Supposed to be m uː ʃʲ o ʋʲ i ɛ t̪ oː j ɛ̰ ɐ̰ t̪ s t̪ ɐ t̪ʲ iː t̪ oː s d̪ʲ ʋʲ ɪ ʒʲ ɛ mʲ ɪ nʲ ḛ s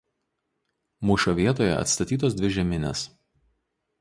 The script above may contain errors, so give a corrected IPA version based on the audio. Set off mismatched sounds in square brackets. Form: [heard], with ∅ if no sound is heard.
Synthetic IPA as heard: m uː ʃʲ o ʋʲ i ɛ t̪ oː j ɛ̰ ɐ̰ t̪ s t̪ ɐ t̪ʲ iː t̪ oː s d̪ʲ ʋʲ ɪ ʒʲ ɛ mʲ ɪ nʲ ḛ s